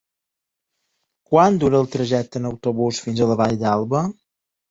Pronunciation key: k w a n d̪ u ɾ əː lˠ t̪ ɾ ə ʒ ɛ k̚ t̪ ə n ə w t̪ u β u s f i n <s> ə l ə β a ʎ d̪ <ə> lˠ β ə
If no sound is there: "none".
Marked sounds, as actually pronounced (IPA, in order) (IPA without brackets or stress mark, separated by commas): z, a